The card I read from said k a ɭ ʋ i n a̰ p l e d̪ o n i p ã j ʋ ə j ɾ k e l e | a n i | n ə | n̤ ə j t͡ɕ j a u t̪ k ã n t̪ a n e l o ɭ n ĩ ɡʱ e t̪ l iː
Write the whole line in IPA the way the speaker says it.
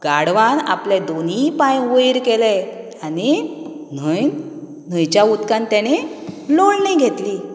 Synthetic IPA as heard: ɡ a ɽ ʋ a n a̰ p l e d̪ o n i p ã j ʋ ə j ɾ k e l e | a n i | n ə | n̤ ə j t͡ɕ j a u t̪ k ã n t̪ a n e l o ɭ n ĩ ɡʱ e t̪ l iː